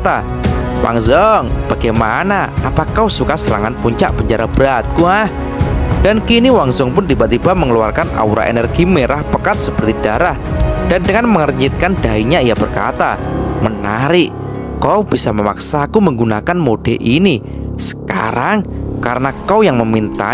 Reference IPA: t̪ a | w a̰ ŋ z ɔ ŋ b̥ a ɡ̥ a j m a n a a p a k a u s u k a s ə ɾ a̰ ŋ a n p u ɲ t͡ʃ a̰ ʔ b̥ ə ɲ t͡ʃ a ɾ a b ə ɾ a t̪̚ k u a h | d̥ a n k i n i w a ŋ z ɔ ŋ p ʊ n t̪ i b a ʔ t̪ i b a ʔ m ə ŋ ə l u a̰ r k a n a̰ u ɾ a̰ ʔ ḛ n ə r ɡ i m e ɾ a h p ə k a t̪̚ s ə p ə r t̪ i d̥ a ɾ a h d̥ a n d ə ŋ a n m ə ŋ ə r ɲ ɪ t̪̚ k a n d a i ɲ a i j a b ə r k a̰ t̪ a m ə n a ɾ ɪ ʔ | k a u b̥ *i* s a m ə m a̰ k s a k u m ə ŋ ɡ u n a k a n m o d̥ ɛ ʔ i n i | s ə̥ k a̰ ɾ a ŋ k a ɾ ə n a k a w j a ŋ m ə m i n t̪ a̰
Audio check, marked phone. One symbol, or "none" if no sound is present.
i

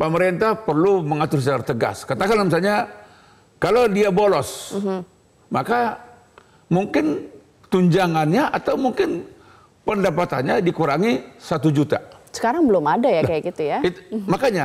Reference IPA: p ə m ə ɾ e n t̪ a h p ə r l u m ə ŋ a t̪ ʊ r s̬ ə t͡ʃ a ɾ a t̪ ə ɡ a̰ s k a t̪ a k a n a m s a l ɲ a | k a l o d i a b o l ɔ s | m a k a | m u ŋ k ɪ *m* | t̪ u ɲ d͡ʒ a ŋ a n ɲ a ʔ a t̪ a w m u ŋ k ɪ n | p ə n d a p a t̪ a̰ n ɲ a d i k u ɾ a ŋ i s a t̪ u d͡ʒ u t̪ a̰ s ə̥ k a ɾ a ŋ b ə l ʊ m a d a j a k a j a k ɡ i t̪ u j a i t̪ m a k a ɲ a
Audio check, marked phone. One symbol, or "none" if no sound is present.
n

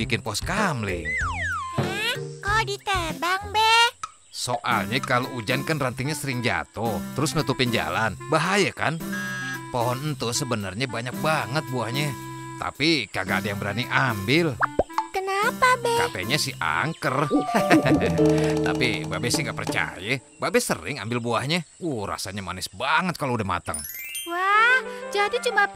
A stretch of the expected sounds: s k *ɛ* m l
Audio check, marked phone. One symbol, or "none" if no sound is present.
a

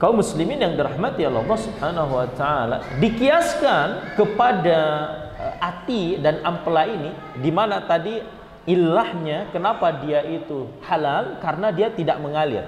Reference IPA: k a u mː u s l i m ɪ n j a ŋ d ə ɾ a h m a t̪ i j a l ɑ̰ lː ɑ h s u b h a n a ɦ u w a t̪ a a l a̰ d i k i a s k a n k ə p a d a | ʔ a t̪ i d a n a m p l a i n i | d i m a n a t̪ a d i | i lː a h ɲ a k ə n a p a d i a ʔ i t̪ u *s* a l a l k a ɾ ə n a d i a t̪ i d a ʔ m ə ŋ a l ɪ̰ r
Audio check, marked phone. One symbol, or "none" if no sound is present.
h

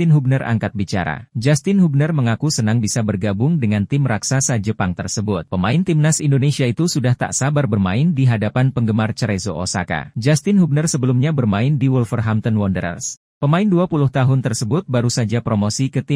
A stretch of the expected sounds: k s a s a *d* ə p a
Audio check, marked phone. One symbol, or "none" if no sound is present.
d͡ʒ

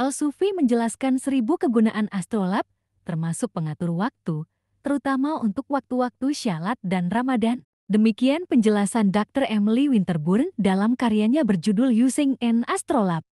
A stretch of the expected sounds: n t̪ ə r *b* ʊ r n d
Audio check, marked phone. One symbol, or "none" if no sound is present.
b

